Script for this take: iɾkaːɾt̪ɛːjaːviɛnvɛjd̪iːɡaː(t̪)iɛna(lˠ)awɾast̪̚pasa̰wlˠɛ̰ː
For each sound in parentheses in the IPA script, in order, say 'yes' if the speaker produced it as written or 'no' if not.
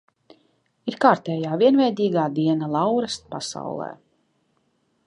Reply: no, yes

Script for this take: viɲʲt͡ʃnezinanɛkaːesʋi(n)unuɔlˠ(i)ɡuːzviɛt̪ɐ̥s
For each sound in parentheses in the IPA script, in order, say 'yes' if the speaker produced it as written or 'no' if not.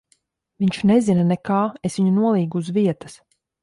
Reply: no, no

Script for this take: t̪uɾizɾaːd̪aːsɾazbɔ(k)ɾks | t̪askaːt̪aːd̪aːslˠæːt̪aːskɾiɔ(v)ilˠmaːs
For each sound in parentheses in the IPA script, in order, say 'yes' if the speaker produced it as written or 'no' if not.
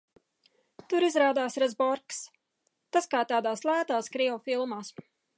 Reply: no, no

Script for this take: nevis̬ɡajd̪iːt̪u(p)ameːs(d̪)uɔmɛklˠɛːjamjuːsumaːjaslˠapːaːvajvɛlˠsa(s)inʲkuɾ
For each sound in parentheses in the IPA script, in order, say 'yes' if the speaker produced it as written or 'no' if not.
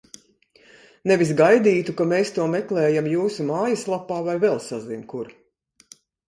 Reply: no, no, no

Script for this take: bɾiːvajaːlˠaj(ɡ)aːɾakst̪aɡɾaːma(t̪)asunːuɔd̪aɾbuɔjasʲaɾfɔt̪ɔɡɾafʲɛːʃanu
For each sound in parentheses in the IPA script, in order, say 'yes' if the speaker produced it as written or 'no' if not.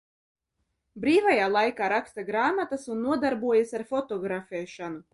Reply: no, yes

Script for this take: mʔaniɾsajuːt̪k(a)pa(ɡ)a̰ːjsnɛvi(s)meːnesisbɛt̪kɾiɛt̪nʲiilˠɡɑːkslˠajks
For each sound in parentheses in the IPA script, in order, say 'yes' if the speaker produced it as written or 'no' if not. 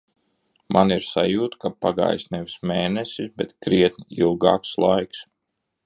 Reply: yes, yes, yes

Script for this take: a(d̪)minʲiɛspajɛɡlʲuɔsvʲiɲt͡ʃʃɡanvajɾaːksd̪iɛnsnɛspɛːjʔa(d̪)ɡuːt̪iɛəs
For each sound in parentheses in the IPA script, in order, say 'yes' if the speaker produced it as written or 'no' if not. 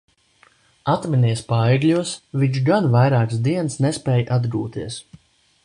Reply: no, yes

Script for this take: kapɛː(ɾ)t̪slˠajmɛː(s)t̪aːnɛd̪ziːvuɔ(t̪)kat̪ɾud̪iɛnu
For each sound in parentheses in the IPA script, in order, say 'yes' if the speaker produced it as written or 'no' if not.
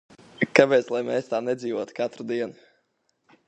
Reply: no, yes, yes

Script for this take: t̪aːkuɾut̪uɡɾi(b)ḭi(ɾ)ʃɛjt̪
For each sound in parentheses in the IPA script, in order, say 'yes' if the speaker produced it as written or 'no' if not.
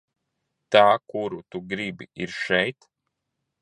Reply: yes, yes

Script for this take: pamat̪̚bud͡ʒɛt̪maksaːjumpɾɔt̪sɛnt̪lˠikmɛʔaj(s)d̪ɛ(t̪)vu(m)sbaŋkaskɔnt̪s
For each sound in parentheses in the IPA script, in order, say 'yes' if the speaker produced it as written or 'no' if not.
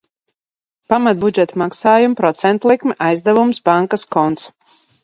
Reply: no, no, yes

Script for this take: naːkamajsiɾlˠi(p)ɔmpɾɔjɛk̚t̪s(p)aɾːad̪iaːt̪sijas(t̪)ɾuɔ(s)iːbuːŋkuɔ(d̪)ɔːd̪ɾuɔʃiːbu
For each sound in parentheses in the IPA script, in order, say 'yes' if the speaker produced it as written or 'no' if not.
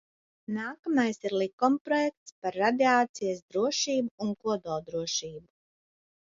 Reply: no, yes, no, no, yes

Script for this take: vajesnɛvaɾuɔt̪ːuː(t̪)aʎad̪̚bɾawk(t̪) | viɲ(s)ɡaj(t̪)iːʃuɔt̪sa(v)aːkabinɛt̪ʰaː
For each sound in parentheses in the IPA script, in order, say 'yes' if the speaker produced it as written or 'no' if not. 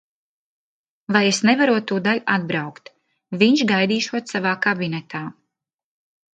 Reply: no, yes, no, no, yes

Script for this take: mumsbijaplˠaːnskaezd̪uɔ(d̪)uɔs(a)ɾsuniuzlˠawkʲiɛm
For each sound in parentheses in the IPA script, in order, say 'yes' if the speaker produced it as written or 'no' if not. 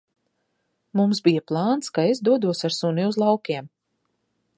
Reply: yes, yes

